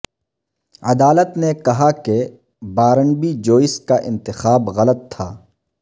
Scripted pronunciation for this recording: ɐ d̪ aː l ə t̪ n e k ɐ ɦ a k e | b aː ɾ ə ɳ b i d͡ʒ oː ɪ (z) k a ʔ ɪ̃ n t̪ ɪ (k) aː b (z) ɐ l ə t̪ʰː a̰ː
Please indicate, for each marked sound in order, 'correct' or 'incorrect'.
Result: incorrect: s, incorrect: x, incorrect: ɣ

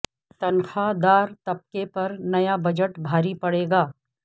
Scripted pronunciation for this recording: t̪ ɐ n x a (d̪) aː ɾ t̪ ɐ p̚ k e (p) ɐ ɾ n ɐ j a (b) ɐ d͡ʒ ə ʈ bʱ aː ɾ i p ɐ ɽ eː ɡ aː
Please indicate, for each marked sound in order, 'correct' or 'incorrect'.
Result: correct, correct, correct

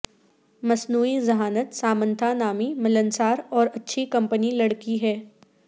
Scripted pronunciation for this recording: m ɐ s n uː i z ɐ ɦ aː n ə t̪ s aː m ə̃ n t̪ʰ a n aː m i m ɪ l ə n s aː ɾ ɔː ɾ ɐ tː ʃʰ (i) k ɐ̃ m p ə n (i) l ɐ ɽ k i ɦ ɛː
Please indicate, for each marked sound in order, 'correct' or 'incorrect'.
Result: correct, correct

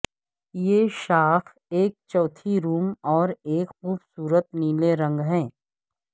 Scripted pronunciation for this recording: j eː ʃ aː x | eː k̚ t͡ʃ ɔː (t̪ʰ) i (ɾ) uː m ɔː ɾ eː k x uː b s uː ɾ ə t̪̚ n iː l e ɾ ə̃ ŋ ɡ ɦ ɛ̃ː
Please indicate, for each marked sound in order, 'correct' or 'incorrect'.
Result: correct, correct

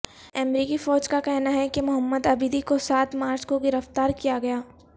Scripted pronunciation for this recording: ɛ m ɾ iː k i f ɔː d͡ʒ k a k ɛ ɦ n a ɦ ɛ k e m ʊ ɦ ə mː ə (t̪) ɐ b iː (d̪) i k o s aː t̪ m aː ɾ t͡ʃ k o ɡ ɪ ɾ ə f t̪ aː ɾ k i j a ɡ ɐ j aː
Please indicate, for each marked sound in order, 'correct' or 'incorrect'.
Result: incorrect: d̪, correct

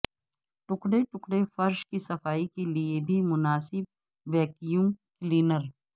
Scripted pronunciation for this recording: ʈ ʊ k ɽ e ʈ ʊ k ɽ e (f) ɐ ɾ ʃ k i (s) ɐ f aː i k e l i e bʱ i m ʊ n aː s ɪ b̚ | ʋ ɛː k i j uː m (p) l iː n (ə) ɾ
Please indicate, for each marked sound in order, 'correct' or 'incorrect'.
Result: correct, correct, incorrect: k, correct

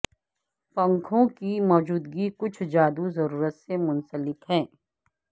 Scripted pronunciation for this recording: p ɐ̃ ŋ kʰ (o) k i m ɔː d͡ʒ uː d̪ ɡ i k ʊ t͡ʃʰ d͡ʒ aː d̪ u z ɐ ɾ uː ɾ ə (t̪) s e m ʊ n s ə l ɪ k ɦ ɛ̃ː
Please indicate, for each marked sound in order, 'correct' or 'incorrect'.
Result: incorrect: õ, correct

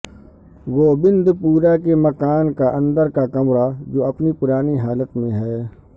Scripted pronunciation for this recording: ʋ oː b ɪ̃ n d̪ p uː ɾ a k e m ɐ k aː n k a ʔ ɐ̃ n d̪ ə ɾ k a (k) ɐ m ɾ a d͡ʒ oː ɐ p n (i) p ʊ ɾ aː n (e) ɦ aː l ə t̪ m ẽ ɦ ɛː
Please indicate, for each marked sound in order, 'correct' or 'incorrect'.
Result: correct, correct, incorrect: i

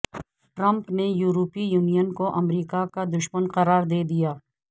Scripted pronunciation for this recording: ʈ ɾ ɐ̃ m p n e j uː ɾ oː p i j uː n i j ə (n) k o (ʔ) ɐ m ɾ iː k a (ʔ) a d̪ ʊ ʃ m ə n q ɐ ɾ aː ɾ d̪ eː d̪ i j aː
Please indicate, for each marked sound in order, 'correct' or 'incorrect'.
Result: correct, correct, incorrect: k

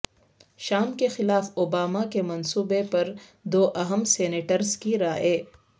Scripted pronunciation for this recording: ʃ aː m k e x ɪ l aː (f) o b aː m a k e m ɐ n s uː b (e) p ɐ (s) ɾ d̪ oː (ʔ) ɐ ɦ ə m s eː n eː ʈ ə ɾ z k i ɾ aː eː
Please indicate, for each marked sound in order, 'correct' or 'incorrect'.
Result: correct, correct, incorrect: none, correct

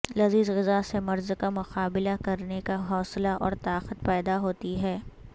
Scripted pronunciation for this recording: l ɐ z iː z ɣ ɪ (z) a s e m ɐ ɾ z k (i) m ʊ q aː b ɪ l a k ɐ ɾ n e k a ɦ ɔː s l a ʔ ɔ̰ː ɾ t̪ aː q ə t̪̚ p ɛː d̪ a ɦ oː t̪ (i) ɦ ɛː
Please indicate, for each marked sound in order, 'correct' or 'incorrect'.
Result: correct, incorrect: a, correct

